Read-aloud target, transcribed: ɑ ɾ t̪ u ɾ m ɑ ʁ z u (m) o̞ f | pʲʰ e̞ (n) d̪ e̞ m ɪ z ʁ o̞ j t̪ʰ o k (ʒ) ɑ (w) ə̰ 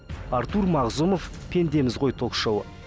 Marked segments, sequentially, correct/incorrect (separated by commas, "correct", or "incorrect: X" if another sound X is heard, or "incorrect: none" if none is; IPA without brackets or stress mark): correct, correct, incorrect: ʃ, correct